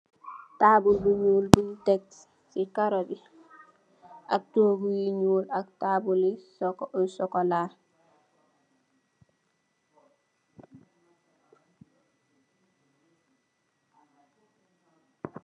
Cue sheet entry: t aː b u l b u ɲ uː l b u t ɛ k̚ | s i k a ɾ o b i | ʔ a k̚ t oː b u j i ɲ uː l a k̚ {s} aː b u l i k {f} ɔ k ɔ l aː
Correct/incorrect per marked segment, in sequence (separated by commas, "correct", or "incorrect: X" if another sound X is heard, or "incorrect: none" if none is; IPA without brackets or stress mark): incorrect: t, incorrect: s